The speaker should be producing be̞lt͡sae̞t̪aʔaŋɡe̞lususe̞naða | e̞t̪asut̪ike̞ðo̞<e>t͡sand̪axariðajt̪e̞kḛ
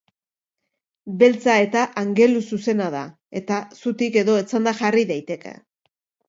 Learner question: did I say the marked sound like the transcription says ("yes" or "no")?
yes